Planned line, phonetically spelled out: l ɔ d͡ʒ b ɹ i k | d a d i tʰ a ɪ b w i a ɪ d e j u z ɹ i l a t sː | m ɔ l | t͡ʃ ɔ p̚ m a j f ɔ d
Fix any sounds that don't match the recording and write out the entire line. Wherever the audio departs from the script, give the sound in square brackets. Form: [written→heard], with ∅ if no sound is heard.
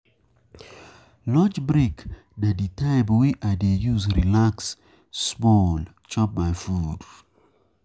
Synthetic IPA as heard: l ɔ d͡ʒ b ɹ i k | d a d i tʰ a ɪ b w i a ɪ d e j u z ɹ i l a [t→k] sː | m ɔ l | t͡ʃ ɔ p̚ m a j f [ɔ→u] d